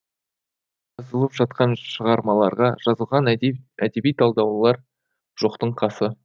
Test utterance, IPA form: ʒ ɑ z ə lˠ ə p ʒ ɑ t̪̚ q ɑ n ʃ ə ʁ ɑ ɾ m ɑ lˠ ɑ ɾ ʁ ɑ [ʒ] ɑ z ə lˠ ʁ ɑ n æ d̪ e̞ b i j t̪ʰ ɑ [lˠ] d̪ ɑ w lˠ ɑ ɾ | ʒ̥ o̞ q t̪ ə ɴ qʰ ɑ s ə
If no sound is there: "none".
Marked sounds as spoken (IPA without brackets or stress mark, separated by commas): ʒ, lˠ